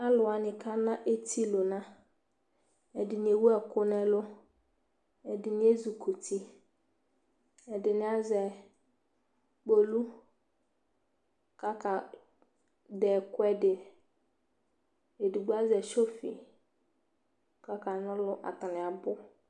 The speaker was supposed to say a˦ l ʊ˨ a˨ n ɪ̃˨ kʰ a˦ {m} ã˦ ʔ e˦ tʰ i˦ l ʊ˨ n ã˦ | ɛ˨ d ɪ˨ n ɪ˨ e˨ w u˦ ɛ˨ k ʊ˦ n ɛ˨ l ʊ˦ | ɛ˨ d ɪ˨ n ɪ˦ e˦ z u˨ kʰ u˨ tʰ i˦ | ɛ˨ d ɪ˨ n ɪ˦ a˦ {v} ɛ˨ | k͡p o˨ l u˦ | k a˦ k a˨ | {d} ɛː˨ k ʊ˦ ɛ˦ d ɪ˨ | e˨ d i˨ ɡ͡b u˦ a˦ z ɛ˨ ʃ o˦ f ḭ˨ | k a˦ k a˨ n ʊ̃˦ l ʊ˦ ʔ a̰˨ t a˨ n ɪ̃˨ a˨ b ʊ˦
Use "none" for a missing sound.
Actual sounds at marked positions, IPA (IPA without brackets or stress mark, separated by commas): n, z, d